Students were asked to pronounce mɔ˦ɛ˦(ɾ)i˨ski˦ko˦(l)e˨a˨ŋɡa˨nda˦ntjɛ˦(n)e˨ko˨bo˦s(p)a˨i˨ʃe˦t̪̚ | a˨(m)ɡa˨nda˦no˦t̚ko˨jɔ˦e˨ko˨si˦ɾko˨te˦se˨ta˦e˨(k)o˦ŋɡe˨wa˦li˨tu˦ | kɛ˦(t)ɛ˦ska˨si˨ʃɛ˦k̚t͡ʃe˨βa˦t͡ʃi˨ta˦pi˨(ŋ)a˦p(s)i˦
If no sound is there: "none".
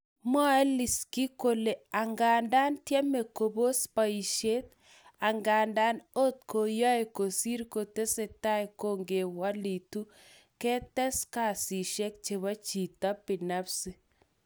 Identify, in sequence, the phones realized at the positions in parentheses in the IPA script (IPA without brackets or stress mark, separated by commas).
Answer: l, l, m, p, ŋ, k, t, n, s